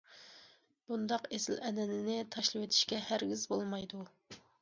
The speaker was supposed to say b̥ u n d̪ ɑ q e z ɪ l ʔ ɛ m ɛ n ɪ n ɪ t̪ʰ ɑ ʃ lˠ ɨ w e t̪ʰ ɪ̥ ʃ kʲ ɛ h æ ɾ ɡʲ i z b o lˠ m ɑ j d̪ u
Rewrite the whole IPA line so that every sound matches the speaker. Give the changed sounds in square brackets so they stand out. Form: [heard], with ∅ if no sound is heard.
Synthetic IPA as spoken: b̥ u n d̪ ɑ q e [s] ɪ l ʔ ɛ [n] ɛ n ɪ n ɪ t̪ʰ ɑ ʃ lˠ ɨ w e t̪ʰ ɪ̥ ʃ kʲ ɛ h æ ɾ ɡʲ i z b o lˠ m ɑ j d̪ u

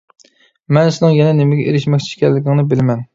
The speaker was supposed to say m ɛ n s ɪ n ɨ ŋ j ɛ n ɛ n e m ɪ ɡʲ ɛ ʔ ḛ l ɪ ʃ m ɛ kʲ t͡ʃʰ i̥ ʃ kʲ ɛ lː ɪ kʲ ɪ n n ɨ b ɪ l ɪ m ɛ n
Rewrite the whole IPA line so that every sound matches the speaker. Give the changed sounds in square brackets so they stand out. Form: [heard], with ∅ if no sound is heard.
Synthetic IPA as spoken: m ɛ n s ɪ n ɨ ŋ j ɛ n ɛ n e m ɪ ɡʲ ɛ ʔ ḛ [ɾ] ɪ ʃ m ɛ kʲ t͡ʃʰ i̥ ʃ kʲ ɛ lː ɪ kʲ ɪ [ŋ] n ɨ b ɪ l ɪ m ɛ n

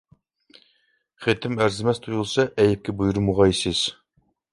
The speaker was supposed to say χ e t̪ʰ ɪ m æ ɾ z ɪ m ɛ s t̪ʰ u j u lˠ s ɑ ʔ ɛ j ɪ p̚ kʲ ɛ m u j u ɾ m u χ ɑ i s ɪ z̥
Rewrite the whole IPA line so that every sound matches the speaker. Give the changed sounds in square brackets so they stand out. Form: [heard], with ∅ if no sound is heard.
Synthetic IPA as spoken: χ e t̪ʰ ɪ m æ ɾ z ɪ m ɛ s t̪ʰ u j u lˠ s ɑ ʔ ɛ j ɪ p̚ kʲ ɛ [b] u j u ɾ m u [ʁ] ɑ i s ɪ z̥

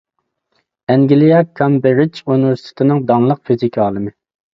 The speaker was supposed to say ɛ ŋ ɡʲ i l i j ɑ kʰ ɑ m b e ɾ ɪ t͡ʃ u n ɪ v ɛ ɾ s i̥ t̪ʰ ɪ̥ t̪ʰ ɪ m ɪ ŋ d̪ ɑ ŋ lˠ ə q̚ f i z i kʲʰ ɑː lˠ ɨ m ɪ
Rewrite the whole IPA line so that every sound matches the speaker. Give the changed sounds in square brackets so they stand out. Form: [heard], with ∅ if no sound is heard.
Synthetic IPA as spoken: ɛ ŋ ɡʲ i l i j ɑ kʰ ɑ m b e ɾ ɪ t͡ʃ u n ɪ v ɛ ɾ s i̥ t̪ʰ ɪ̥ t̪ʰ ɪ [n] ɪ ŋ d̪ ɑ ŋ lˠ ə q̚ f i z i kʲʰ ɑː lˠ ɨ m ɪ

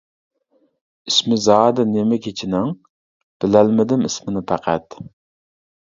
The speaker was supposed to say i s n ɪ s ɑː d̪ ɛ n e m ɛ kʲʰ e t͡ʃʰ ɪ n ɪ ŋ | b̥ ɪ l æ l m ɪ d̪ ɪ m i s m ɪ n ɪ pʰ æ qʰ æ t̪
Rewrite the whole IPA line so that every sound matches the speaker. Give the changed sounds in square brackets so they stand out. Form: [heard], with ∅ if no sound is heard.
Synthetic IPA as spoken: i s [m] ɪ [z] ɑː d̪ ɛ n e m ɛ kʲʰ e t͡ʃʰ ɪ n ɪ ŋ | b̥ ɪ l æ l m ɪ d̪ ɪ m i s m ɪ n ɪ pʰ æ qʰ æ t̪

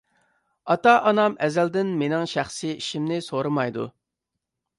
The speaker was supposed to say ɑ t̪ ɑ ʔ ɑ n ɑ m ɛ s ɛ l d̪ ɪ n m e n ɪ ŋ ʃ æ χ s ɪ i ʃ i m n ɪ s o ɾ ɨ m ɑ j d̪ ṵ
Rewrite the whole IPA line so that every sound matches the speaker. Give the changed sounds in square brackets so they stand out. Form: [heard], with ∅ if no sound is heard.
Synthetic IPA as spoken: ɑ t̪ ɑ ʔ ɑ n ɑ m ɛ [z] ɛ l d̪ ɪ n m e n ɪ ŋ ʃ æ χ s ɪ i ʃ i m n ɪ s o ɾ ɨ m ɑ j d̪ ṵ

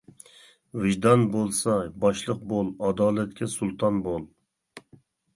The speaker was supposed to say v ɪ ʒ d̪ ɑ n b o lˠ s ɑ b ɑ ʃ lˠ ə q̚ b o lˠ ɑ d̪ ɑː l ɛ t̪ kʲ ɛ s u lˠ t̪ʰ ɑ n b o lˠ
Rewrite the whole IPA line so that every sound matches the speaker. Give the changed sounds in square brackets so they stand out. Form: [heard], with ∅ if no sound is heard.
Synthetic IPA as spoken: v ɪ ʒ d̪ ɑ n b o lˠ s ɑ b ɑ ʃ lˠ ə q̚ b o lˠ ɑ d̪ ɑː l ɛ t̪ kʲ ɛ s u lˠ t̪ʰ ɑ n b o lˠ

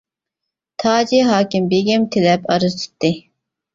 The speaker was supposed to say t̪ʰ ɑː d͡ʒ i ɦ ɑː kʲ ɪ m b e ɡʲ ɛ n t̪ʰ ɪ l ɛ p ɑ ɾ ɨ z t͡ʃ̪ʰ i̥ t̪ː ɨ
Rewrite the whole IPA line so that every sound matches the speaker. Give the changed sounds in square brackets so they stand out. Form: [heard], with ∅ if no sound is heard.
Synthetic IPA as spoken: t̪ʰ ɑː d͡ʒ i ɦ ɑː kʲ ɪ m b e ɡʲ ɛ [m] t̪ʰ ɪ l ɛ p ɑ ɾ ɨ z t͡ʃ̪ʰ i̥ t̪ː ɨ

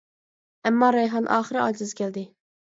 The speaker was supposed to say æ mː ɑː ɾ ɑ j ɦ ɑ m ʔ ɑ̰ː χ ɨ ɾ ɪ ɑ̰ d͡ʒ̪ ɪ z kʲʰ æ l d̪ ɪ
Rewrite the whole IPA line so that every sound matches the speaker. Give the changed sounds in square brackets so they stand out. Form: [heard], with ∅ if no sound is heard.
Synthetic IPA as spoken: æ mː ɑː ɾ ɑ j ɦ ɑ [n] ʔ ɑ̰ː χ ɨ ɾ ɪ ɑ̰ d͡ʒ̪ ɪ z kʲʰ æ l d̪ ɪ

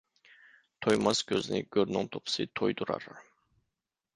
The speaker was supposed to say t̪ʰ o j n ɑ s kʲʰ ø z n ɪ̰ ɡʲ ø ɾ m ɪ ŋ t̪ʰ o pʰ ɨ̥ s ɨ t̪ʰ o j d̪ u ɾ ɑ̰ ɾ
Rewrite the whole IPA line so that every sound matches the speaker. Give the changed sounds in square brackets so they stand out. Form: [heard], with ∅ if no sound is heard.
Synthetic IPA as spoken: t̪ʰ o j [m] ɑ s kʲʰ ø z n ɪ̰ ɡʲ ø ɾ [n] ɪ ŋ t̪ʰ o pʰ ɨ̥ s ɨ t̪ʰ o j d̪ u ɾ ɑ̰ ɾ

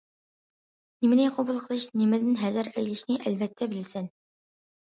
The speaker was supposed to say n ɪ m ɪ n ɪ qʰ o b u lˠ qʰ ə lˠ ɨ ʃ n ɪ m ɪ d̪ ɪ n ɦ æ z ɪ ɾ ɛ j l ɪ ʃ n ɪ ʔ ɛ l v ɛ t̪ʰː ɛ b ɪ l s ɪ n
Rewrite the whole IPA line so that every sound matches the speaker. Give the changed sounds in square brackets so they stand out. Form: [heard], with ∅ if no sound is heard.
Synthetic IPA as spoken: n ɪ m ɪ n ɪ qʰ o b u lˠ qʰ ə lˠ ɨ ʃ n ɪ m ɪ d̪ ɪ n ɦ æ z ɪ ɾ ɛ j l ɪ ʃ n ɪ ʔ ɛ l v ɛ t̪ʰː ɛ b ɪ l s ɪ n

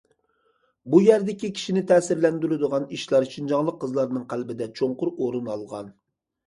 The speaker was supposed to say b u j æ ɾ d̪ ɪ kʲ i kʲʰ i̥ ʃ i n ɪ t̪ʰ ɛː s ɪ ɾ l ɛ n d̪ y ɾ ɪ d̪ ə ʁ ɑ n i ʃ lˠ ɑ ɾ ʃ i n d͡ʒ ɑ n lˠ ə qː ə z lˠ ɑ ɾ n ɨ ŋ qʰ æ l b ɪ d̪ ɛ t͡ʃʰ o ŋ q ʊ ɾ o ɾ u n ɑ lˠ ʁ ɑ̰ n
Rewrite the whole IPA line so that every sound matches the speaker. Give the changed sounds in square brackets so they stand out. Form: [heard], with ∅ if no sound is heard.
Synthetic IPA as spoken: b u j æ ɾ d̪ ɪ kʲ i kʲʰ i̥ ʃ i n ɪ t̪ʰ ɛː s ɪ ɾ l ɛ n d̪ y ɾ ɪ d̪ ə ʁ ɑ n i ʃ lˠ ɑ ɾ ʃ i n d͡ʒ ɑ [ŋ] lˠ ə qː ə z lˠ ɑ ɾ n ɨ ŋ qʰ æ l b ɪ d̪ ɛ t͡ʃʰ o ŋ q ʊ ɾ o ɾ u n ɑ lˠ ʁ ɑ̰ n

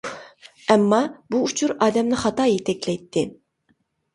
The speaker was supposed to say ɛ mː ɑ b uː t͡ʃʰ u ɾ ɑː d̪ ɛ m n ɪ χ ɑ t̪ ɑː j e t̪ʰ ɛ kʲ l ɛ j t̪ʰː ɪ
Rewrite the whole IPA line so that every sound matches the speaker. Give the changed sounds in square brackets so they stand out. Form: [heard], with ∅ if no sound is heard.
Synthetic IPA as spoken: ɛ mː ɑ b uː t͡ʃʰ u ɾ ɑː d̪ ɛ m n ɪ χ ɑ t̪ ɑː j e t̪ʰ ɛ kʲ l ɛ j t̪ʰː ɪ

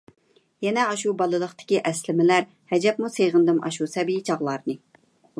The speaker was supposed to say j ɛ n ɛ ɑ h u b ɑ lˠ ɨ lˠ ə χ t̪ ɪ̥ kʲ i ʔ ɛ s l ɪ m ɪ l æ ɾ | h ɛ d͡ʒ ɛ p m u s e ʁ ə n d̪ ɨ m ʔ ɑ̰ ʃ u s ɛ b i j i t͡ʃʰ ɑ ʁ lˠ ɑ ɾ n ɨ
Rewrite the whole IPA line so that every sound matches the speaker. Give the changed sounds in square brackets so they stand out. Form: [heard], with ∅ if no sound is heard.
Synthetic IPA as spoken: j ɛ n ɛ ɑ [ʃ] u b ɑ lˠ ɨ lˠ ə χ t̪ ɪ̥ kʲ i ʔ ɛ s l ɪ m ɪ l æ ɾ | h ɛ d͡ʒ ɛ p m u s e ʁ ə n d̪ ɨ m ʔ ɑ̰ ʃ u s ɛ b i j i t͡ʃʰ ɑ ʁ lˠ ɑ ɾ n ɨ

